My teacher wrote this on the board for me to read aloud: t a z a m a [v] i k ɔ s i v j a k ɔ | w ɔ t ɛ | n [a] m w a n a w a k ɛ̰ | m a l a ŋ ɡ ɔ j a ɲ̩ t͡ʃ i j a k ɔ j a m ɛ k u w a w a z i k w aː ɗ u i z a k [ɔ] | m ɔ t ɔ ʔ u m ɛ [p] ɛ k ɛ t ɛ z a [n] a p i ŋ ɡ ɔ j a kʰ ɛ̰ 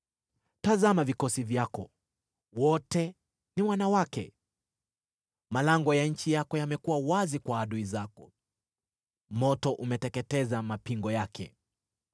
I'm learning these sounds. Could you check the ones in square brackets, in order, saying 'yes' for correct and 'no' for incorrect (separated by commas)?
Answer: yes, no, yes, no, no